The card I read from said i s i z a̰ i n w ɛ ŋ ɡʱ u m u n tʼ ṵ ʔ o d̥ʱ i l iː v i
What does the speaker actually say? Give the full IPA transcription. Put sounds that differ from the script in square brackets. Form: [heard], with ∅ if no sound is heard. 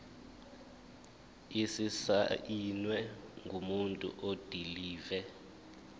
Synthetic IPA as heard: i s i [s] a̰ i n w ɛ ŋ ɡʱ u m u n tʼ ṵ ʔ o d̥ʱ i l iː v [ɛ]